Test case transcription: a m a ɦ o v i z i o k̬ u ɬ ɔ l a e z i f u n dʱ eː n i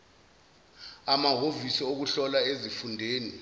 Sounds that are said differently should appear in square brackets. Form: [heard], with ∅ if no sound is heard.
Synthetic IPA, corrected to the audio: a m a ɦ o v i [s] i o k̬ u ɬ ɔ l a e z i f u n dʱ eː n i